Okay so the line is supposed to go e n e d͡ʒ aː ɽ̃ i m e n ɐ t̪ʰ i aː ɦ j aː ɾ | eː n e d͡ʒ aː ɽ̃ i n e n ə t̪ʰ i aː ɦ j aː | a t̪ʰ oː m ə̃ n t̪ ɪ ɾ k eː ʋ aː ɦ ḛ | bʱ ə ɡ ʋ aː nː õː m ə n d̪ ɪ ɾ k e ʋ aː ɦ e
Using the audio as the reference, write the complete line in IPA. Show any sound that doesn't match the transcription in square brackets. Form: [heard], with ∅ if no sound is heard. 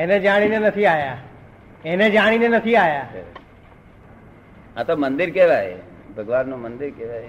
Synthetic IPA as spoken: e n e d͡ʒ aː ɽ̃ i [n] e n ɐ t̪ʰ i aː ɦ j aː [∅] | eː n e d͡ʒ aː ɽ̃ i n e n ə t̪ʰ i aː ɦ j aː | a [t̪] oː m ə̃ n [d̪] ɪ ɾ k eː ʋ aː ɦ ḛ | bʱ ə ɡ ʋ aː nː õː m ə n d̪ ɪ ɾ k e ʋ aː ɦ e